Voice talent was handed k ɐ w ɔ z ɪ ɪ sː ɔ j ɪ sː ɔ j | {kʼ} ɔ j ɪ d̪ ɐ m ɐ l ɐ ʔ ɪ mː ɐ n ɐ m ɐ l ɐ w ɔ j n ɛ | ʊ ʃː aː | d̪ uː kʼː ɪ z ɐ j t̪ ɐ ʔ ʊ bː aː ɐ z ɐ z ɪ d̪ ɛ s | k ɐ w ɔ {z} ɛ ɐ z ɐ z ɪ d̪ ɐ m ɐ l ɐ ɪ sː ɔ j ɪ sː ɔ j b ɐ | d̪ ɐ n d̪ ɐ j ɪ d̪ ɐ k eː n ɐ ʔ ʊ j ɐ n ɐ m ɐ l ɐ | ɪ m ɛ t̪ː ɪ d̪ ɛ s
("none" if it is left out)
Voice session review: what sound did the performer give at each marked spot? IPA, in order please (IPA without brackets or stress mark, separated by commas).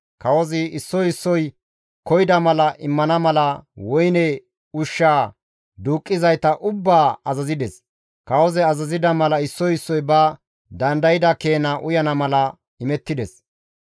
k, z